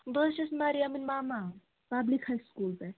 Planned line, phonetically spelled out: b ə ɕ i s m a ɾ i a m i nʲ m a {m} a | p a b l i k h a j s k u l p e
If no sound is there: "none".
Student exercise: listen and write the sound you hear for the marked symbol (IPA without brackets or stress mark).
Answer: m